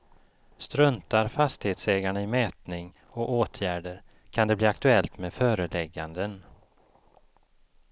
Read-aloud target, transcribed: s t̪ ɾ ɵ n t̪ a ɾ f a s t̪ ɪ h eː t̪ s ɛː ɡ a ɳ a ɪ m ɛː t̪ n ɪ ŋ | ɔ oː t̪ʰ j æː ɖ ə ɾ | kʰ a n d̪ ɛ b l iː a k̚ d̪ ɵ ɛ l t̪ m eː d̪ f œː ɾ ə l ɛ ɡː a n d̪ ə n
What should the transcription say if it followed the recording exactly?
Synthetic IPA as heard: s t̪ ɾ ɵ n t̪ a ɾ f a s t̪ ɪ h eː t̪ s ɛː ɡ a ɳ a ɪ m ɛː t̪ n ɪ ŋ | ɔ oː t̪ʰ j æː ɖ ə ɾ | kʰ a n d̪ ɛ b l iː a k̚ t̪ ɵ ɛ l t̪ m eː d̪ f œː ɾ ə l ɛ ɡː a n d̪ ə n

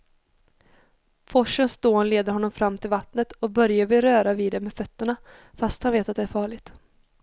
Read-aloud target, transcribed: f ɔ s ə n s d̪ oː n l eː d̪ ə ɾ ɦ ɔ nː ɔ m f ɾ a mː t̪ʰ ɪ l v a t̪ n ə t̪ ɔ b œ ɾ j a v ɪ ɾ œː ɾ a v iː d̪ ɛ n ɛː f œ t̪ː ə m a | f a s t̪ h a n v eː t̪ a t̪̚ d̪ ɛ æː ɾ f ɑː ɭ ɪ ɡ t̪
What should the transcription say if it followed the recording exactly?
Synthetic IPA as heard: f ɔ ʂ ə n s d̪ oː n l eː d̪ ə ɾ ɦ ɔ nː ɔ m f ɾ a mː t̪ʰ ɪ l v a t̪ n ə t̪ ɔ b œ ɾ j a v ɪ ɾ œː ɾ a v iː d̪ ɛ m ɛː f œ t̪ː ə ɳ a | f a s t̪ h a n v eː t̪ a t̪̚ d̪ ɛ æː ɾ f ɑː ɭ ɪ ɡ t̪

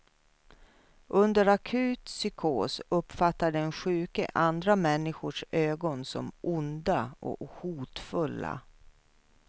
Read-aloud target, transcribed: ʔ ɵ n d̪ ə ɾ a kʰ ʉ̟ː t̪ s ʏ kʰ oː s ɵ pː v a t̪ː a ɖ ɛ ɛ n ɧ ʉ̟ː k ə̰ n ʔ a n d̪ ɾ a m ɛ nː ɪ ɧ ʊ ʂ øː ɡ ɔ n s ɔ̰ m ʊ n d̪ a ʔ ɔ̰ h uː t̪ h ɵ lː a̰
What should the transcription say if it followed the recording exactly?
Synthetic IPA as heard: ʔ ɵ n d̪ ə ɾ a kʰ ʉ̟ː t̪ s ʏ kʰ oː s ɵ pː f a t̪ː a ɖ ɛ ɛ n ɧ ʉ̟ː k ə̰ ʔ a n d̪ ɾ a m ɛ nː ɪ ɧ ʊ ʂ øː ɡ ɔ n s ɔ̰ m ʊ n d̪ a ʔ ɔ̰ h uː t̪ f ɵ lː a̰

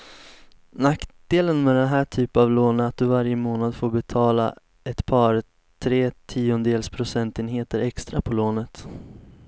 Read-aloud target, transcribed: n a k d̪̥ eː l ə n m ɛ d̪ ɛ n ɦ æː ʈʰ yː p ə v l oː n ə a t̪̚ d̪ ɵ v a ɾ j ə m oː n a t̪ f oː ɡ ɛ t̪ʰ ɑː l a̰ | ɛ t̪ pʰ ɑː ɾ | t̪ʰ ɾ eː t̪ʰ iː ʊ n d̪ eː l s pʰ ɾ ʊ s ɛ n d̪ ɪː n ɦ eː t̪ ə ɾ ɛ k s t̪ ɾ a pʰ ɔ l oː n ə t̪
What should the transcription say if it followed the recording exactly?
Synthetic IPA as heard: n a k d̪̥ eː l ə n m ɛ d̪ ɛ n ɦ æː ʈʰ yː p a v l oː n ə a t̪̚ d̪ ɵ v a ɾ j ə m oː n a d̪ f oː b ɛ t̪ʰ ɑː l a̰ | ɛ t̪ pʰ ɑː ɾ | t̪ʰ ɾ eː t̪ʰ iː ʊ n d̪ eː l s pʰ ɾ ʊ s ɛ n t̪ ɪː n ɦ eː t̪ ə ɾ ɛ k s t̪ ɾ a pʰ ɔ l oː n ə t̪

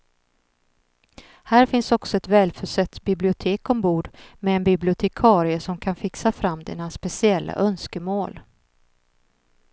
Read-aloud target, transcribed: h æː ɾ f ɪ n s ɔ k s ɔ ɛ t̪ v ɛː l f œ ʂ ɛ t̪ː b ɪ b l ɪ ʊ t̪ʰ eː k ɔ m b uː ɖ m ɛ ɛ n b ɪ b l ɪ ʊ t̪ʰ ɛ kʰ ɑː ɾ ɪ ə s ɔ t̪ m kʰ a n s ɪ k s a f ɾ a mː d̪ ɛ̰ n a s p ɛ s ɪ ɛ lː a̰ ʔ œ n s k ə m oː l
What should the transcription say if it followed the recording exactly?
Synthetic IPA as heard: h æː ɾ f ɪ n s ɔ k s ɔ ɛ t̪ v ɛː l f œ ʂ ɛ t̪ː b ɪ b l ɪ ʊ t̪ʰ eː k ɔ m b uː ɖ m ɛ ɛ n b ɪ b l ɪ ʊ t̪ʰ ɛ kʰ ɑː ɾ ɪ ə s ɔ m kʰ a n f ɪ k s a f ɾ a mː d̪ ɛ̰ n a s p ɛ s ɪ ɛ lː a̰ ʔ œ n s k ə m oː l

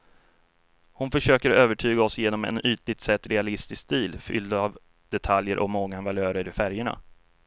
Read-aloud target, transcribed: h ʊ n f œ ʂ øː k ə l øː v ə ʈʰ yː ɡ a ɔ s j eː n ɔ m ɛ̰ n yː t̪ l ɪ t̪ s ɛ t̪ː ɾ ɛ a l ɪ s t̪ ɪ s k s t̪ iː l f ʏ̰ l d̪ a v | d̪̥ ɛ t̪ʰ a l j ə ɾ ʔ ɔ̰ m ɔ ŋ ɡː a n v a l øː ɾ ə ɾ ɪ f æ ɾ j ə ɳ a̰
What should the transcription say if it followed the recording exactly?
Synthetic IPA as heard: h ʊ n f œ ʂ øː k ə ɾ øː v ə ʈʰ yː ɡ a ɔ s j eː n ɔ m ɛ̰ n yː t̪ l ɪ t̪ s ɛ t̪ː ɾ ɛ a l ɪ s t̪ ɪ s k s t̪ iː l f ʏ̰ l d̪ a v | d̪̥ ɛ t̪ʰ a l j ə ɾ ʔ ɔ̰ m ɔ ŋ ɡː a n v a l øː ɾ ə ɾ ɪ f æ ɾ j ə ɳ a̰

